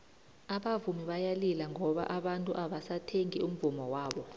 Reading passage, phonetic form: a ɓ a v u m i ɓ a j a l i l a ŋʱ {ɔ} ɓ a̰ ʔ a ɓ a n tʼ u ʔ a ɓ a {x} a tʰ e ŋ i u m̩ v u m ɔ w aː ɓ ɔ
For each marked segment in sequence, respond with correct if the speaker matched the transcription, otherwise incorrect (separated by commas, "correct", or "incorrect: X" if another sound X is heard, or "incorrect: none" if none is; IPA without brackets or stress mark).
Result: correct, incorrect: s